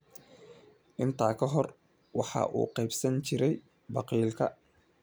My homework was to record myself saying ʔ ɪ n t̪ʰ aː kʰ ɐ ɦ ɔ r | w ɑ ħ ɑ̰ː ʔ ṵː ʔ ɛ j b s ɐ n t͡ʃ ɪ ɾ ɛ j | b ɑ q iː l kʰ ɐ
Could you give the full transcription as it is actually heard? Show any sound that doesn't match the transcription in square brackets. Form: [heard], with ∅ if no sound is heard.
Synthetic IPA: ʔ ɪ n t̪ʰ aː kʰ ɐ ɦ ɔ r | w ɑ ħ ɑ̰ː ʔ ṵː [q] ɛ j b s ɐ n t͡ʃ ɪ ɾ ɛ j | b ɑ q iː l kʰ ɐ